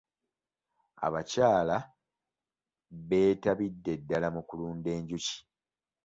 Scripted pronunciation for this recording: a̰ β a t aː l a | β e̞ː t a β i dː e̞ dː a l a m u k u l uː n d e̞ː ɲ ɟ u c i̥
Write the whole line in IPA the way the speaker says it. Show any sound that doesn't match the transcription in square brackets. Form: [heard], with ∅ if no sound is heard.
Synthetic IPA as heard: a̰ β a [c] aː l a | β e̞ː t a β i dː e̞ dː a l a m u k u l uː n d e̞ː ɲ ɟ u c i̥